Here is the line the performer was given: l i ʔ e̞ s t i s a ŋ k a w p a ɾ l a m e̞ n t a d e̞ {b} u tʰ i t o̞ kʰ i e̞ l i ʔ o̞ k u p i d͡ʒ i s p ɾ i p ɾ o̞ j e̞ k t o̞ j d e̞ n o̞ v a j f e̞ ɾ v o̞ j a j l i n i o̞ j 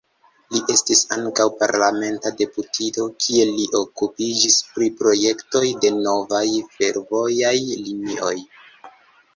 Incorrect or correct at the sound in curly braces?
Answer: incorrect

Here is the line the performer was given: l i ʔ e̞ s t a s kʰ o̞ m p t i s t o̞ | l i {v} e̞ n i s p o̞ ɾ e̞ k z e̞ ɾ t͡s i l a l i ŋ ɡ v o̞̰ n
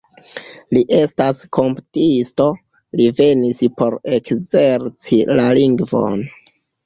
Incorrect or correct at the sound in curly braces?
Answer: correct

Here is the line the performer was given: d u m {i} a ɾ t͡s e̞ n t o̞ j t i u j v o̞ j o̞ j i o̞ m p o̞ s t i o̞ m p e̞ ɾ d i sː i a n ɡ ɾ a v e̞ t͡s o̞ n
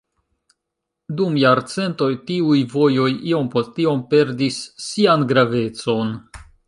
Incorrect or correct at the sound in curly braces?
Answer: incorrect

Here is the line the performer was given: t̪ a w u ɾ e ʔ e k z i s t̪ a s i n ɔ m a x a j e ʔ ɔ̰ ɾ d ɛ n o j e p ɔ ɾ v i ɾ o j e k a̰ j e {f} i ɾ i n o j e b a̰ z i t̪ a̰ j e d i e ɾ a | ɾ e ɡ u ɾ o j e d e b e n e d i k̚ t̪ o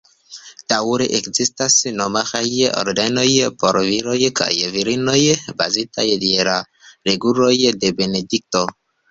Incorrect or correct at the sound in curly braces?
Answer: incorrect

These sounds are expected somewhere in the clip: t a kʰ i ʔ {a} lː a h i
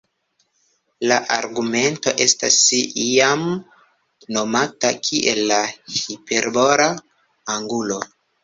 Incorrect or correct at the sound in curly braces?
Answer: incorrect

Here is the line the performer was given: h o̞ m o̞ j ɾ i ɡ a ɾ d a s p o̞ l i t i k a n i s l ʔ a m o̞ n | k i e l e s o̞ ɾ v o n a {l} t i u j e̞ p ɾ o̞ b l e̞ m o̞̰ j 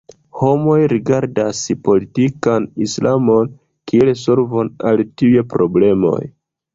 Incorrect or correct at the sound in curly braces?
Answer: correct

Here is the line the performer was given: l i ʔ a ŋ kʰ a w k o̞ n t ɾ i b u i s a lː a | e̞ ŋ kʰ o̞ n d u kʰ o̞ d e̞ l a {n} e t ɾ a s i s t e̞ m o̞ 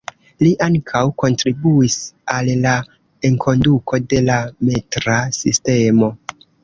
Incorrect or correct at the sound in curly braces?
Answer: incorrect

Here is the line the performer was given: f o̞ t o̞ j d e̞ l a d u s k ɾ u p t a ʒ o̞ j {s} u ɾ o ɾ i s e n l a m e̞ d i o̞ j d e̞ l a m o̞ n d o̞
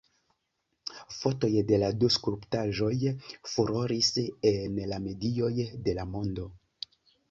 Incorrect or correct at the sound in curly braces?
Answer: incorrect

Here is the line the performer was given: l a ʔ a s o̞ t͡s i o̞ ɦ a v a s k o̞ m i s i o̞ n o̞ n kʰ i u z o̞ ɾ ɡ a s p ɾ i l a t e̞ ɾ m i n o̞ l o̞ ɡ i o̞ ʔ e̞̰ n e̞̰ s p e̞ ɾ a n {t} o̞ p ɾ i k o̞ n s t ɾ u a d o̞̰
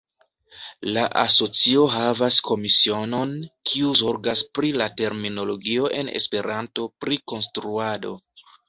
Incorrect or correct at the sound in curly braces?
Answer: correct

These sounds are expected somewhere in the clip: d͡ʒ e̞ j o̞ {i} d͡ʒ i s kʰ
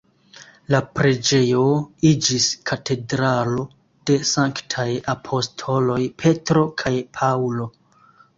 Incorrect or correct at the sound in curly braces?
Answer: correct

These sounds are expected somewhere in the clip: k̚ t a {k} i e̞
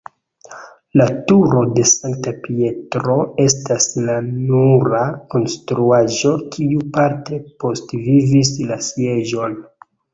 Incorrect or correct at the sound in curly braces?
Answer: incorrect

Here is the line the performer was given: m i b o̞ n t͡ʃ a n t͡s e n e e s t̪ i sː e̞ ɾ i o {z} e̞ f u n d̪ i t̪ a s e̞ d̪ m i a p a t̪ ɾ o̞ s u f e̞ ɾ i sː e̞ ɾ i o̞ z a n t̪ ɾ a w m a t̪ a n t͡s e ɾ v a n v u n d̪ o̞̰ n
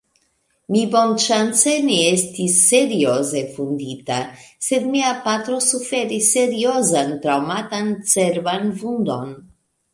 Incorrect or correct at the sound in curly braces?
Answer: correct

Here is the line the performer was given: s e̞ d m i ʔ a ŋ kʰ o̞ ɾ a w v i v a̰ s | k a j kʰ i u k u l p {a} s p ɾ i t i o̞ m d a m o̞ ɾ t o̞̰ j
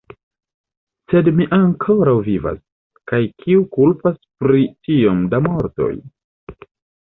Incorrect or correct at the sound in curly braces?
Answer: correct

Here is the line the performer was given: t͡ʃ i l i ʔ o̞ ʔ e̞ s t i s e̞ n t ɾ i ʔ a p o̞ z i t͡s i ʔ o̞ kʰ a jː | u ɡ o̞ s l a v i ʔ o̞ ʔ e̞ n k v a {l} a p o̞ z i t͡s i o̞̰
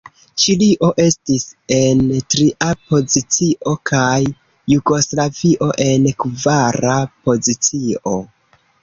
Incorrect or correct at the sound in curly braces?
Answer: incorrect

